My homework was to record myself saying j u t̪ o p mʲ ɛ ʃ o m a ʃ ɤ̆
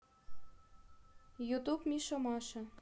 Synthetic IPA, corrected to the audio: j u t̪ u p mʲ i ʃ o m ɑ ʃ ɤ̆

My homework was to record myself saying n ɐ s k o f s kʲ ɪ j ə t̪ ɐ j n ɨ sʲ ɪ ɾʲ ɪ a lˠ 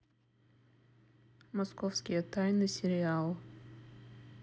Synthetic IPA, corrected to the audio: m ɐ s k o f s kʲ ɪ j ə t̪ a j n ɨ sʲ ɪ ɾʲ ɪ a lˠ

